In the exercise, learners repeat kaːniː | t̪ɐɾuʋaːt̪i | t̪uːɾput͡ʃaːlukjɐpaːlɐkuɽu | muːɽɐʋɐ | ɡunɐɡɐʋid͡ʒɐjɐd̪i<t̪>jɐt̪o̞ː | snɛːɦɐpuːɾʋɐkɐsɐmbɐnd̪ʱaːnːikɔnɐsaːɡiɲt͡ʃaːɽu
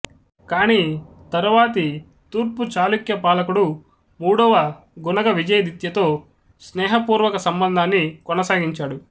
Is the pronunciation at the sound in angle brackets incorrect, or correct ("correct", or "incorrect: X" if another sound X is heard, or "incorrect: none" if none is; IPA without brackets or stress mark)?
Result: correct